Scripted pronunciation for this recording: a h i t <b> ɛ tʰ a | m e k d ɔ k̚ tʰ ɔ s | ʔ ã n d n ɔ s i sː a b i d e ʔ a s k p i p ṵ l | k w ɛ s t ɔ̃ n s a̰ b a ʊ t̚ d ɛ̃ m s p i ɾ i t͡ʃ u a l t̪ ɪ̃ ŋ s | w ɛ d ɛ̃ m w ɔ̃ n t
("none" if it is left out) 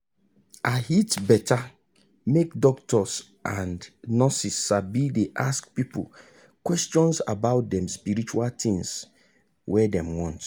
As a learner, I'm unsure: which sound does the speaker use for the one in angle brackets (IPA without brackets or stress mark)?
b